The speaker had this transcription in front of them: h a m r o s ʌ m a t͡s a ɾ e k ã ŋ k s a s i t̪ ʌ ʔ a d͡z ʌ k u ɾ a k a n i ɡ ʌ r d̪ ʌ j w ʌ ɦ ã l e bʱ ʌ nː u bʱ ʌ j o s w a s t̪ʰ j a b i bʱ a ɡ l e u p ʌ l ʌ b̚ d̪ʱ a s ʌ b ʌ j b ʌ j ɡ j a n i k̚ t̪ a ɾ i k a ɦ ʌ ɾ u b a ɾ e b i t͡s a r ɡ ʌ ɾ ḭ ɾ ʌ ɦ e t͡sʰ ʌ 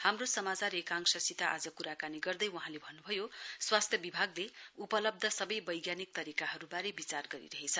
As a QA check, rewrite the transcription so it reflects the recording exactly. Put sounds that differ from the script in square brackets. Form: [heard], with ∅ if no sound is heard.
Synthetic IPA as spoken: h a m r o s ʌ m a t͡s a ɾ e k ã ŋ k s [ʌ] s i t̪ [a] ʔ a d͡z ʌ k u ɾ a k a n i ɡ ʌ r d̪ ʌ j w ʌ ɦ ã l e bʱ ʌ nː u bʱ ʌ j o s w a s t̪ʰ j [ʌ] b i bʱ a ɡ l e u p ʌ l ʌ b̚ d̪ʱ [ʌ] s ʌ b ʌ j b ʌ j ɡ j a n i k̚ t̪ [ʌ] ɾ i k a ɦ ʌ ɾ u b a ɾ e b i t͡s a r ɡ ʌ ɾ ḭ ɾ ʌ ɦ e t͡sʰ ʌ

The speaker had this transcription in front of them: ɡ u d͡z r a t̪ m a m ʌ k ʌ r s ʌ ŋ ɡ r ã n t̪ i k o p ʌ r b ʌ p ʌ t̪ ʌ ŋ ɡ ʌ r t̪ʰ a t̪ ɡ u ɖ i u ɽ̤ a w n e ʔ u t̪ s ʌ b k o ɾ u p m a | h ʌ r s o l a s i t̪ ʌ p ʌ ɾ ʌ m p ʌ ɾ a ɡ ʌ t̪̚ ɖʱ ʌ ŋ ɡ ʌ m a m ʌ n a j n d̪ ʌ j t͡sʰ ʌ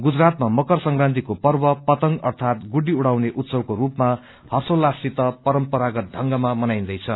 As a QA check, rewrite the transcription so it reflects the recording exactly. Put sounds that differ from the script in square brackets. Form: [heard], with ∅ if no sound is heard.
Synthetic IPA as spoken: ɡ u d͡z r a t̪ m a m ʌ k ʌ r s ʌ ŋ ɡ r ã n t̪ i k o p ʌ r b ʌ p ʌ t̪ ʌ ŋ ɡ ʌ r t̪ʰ a t̪ ɡ u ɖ i u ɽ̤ a w n e ʔ u t̪ s ʌ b k o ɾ u p m a | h ʌ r s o l a s i t̪ ʌ p ʌ ɾ ʌ m p ʌ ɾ a ɡ ʌ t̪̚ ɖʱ ʌ ŋ ɡ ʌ m a m ʌ n a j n d̪ ʌ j t͡sʰ ʌ

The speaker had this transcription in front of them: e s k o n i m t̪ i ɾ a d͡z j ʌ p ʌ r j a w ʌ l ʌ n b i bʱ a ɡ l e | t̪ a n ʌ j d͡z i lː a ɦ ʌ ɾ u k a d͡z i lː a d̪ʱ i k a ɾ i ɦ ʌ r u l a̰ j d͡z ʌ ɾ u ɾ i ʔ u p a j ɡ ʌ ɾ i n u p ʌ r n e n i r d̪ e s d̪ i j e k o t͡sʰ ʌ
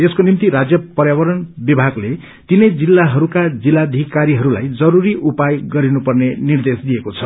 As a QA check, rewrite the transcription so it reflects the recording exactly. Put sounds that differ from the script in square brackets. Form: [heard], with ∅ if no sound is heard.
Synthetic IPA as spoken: e s k o n i m t̪ i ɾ a d͡z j ʌ p ʌ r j a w ʌ [ɾ] ʌ n b i bʱ a ɡ l e | t̪ [i] n ʌ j d͡z i lː a ɦ ʌ ɾ u k a d͡z i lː a d̪ʱ i k a ɾ i ɦ ʌ [ɾ] u l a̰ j d͡z ʌ ɾ u ɾ i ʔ u p a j ɡ ʌ ɾ i n u p ʌ r n e n i r d̪ e s d̪ i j e k o t͡sʰ ʌ

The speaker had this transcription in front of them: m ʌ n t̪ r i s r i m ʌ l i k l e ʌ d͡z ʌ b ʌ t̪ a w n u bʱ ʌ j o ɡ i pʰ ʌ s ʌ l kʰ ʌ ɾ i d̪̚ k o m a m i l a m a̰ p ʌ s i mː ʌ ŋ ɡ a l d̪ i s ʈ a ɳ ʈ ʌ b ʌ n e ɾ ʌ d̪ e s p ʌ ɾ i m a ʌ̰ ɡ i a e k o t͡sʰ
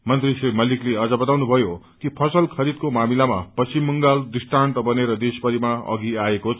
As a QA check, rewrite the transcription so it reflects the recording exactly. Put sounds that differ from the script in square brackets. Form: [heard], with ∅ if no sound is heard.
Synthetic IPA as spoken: m ʌ n t̪ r i s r i m ʌ l i k l e ʌ d͡z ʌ b ʌ t̪ a w n u bʱ ʌ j o [k] i pʰ ʌ s ʌ l kʰ ʌ ɾ i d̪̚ k o m a m i l a m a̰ p ʌ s i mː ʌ ŋ ɡ a l d̪ i s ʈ a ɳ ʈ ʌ b ʌ n e ɾ ʌ d̪ e s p ʌ ɾ i m a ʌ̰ ɡ i a e k o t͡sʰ

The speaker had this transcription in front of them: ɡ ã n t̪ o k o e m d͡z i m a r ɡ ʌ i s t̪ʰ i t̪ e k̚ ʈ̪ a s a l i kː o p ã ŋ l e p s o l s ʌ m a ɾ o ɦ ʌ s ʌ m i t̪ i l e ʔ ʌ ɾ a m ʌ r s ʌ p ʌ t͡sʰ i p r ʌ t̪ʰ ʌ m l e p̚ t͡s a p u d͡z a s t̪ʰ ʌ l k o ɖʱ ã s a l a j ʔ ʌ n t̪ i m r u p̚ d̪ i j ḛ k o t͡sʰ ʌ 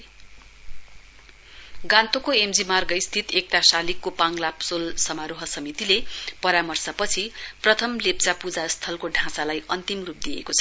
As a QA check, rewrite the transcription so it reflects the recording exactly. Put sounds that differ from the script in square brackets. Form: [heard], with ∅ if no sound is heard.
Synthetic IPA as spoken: ɡ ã n t̪ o k o e m d͡z i m a r ɡ ʌ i s t̪ʰ i t̪ e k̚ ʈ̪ a s a l i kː o p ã ŋ l [a] p s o l s ʌ m a ɾ o ɦ ʌ s ʌ m i t̪ i l e [p] ʌ ɾ a m ʌ r s ʌ p ʌ t͡sʰ i p r ʌ t̪ʰ ʌ m l e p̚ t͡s a p u d͡z a s t̪ʰ ʌ l k o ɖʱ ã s a l a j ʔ ʌ n t̪ i m r u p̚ d̪ i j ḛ k o t͡sʰ ʌ

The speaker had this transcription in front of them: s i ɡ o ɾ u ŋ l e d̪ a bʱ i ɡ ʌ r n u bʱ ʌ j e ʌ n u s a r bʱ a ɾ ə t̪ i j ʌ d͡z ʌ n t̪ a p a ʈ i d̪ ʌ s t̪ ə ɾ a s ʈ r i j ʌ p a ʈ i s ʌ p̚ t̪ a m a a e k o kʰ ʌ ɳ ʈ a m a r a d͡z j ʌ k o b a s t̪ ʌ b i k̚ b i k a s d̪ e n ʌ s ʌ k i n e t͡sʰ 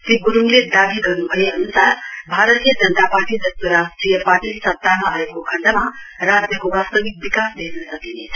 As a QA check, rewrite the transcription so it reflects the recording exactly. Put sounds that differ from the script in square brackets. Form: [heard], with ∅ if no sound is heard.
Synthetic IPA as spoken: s i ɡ [u] ɾ u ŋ l e d̪ a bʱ i ɡ ʌ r n u bʱ ʌ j e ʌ n u s a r bʱ a ɾ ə t̪ i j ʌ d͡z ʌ n t̪ a p a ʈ i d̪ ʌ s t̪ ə ɾ a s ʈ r i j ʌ p a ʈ i s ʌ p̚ t̪ a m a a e k o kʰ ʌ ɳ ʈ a m a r a d͡z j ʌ k o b a s t̪ ʌ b i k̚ b i k a s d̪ e n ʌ s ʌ k i n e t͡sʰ

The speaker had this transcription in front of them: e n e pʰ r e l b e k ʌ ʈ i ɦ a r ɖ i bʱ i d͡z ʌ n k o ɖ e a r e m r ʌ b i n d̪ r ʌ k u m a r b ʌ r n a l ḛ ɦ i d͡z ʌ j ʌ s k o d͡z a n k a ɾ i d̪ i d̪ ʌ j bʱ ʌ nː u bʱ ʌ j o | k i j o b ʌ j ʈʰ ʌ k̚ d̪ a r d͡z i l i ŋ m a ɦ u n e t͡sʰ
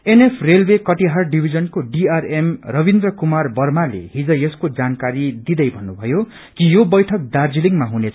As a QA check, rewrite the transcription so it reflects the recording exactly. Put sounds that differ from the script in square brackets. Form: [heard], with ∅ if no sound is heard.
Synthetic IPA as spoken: e n e pʰ r e l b e k ʌ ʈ i ɦ a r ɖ i bʱ i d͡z ʌ n k o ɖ [i] a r e m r ʌ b i n d̪ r ʌ k u m a r b ʌ r [m] a l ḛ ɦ i d͡z ʌ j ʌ s k o d͡z a n k a ɾ i d̪ i d̪ ʌ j bʱ ʌ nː u bʱ ʌ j o | k i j o b ʌ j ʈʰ ʌ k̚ d̪ a r d͡z i l i ŋ m a ɦ u n e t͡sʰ

